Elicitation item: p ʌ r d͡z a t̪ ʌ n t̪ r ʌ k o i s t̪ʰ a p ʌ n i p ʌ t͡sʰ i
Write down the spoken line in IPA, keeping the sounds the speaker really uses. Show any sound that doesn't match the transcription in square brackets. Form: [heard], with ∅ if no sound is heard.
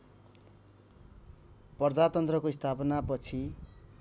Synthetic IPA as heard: p ʌ r d͡z a t̪ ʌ n t̪ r ʌ k o i s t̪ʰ a p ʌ n [a] p ʌ t͡sʰ i